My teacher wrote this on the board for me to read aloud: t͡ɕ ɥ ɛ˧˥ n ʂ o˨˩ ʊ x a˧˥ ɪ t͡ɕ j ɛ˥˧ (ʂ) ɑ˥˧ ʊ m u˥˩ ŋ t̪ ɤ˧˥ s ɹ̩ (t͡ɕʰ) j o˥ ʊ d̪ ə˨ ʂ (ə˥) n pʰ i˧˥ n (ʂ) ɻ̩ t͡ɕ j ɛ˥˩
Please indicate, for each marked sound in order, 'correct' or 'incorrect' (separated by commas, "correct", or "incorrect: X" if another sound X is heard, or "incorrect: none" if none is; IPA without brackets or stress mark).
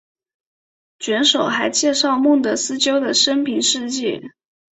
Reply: correct, incorrect: t͡ɕ, correct, correct